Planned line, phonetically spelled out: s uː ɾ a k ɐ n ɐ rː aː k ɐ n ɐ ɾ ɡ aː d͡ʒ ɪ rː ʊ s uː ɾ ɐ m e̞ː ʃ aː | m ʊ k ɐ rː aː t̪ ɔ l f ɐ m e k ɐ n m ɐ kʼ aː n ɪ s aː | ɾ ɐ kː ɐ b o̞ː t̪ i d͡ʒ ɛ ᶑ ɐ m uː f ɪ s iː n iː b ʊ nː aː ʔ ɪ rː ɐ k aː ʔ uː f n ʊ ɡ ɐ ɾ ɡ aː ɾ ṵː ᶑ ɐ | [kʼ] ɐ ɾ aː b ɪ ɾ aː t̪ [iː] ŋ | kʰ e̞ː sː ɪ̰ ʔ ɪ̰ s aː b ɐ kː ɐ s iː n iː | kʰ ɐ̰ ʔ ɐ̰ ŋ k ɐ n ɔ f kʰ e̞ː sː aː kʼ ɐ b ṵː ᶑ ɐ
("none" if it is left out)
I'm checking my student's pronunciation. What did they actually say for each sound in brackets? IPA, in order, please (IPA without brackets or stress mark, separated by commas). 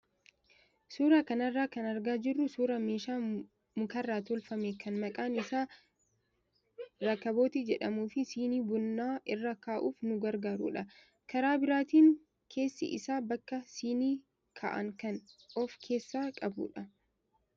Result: k, iː